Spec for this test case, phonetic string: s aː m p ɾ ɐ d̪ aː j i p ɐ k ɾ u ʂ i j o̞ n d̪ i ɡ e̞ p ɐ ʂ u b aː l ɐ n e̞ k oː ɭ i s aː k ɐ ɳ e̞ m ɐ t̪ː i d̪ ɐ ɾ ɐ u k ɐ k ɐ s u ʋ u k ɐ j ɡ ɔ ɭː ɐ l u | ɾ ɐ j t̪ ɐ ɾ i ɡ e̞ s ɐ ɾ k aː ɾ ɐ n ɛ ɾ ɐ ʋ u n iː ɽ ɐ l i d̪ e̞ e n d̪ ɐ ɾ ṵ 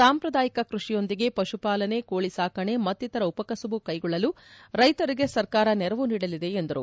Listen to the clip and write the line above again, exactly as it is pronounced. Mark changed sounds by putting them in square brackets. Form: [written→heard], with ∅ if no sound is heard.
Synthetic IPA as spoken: s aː m p ɾ ɐ d̪ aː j i [p→k] ɐ k ɾ u ʂ i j o̞ n d̪ i ɡ e̞ p ɐ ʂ u [b→p] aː l ɐ n e̞ k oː ɭ i s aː k ɐ ɳ e̞ m ɐ t̪ː i [d̪→t̪] ɐ ɾ ɐ u [k→p] ɐ k ɐ s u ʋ u k ɐ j ɡ ɔ ɭː ɐ l u | ɾ ɐ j t̪ ɐ ɾ i ɡ e̞ s ɐ ɾ k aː ɾ ɐ n ɛ ɾ ɐ ʋ u n iː ɽ ɐ l i d̪ e̞ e n d̪ ɐ ɾ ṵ